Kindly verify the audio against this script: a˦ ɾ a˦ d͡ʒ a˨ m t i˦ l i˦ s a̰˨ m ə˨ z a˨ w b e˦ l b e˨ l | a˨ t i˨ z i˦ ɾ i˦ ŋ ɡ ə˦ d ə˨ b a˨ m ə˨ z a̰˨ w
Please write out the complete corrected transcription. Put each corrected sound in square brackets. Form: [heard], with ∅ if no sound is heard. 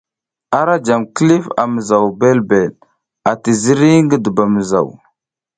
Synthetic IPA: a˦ ɾ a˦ d͡ʒ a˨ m [k] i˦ l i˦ [f] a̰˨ m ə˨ z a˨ w b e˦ l b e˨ l | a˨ t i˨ z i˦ ɾ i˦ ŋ ɡ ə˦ d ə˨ b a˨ m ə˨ z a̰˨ w